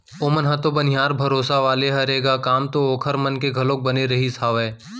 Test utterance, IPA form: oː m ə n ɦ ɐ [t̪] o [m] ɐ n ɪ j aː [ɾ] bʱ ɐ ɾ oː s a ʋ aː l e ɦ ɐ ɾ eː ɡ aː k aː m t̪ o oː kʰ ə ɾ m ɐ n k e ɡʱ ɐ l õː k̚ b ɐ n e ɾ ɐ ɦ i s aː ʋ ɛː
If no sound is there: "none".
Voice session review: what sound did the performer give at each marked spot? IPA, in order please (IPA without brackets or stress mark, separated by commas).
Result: t̪, b, ɾ